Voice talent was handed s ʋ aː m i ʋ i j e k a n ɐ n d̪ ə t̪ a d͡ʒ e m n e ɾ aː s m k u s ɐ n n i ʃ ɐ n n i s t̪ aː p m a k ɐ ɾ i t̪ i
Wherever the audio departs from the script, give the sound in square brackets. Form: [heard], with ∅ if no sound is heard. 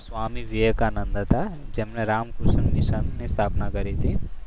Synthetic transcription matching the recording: s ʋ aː m i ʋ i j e k a n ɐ n d̪ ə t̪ a d͡ʒ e m n e ɾ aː [∅] m k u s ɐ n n i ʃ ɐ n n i s [t̪ʰ] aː p [n] a k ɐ ɾ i t̪ i

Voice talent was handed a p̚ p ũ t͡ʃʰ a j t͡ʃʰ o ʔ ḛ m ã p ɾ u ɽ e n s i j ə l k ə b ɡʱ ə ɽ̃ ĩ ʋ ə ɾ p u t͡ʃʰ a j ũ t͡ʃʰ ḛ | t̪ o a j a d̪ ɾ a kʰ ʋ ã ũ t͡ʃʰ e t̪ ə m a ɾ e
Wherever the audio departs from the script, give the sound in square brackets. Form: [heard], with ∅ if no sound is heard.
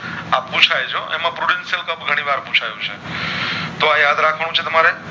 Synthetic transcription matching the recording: a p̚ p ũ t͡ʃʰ a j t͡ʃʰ o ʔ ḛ m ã p ɾ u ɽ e n s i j ə l k ə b ɡʱ ə ɽ̃ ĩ ʋ [a] ɾ p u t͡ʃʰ a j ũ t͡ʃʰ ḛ | t̪ o a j a d̪ ɾ a kʰ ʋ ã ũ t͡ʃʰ e t̪ ə m a ɾ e

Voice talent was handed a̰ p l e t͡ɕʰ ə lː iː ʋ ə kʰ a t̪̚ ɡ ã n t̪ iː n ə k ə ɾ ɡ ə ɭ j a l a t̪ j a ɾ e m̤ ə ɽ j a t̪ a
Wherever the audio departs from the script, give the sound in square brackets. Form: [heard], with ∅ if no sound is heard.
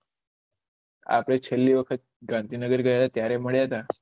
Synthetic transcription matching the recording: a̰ p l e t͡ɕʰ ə lː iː ʋ ə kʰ [ə] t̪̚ ɡ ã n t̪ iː n ə [ɡ] ə ɾ ɡ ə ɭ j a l a t̪ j a ɾ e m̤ ə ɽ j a t̪ a

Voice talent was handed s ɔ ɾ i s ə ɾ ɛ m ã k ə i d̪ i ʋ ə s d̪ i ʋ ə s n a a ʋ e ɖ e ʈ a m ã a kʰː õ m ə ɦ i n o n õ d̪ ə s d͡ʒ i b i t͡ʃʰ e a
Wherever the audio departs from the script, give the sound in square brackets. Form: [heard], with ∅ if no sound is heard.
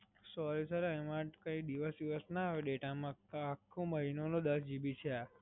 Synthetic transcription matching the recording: s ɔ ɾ i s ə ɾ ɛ m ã k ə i d̪ i ʋ ə s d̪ i ʋ ə s n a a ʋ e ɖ e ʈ a m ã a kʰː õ m ə ɦ i n o n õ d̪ ə s d͡ʒ i b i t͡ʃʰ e a

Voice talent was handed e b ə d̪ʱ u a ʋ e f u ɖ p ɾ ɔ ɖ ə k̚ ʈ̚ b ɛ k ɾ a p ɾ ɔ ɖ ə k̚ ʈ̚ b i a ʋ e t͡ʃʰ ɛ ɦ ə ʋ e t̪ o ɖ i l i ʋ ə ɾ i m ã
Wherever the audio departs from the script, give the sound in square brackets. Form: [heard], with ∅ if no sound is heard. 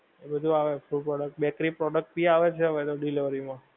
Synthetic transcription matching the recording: e b ə d̪ʱ u a ʋ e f u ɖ p ɾ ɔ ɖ ə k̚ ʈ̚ b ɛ k ɾ [i] p ɾ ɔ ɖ ə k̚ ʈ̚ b i a ʋ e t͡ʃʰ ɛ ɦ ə ʋ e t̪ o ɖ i l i ʋ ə ɾ i m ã

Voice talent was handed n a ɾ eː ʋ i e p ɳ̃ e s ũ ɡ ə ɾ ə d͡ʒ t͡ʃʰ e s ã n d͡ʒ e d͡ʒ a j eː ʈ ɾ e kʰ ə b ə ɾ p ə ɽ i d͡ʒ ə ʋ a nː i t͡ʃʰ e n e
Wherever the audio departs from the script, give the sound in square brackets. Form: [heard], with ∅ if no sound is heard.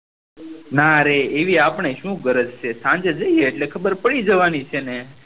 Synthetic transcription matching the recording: n a ɾ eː ʋ i [a] p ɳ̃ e [ʃ] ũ ɡ ə ɾ ə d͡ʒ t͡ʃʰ e s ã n d͡ʒ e d͡ʒ [ə] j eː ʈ [l] e kʰ ə b ə ɾ p ə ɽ i d͡ʒ ə ʋ a [n] i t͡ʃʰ e n e

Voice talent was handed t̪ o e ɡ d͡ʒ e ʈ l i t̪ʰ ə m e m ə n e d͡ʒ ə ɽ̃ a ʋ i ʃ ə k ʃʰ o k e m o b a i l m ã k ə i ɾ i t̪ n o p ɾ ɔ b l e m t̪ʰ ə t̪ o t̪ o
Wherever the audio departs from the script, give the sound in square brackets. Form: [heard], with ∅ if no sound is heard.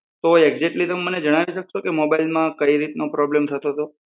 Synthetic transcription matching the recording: t̪ o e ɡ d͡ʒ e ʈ l i [t̪] ə m e m ə n e d͡ʒ ə ɽ̃ a ʋ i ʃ ə k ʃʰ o k e m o b a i l m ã k ə i ɾ i t̪ n o p ɾ ɔ b l e m t̪ʰ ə t̪ o t̪ o

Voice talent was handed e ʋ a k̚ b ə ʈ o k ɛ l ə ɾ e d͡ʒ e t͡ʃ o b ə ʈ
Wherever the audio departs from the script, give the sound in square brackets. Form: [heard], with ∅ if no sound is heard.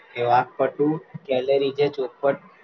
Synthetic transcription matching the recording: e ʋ a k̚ [p] ə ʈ [u] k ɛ l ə ɾ [i] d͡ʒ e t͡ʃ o [p] ə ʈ

